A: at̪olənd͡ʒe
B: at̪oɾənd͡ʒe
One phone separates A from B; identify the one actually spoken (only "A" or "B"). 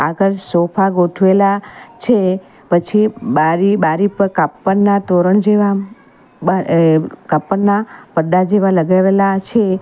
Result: B